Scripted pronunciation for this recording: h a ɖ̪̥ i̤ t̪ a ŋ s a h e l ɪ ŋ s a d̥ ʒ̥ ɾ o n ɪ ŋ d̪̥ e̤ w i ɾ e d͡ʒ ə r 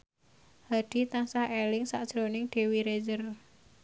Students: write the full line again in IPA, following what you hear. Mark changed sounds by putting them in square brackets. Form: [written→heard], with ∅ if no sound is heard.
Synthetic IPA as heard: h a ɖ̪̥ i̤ t̪ a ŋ s a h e l ɪ ŋ s a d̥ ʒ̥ ɾ o n ɪ ŋ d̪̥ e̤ w i ɾ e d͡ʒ ə r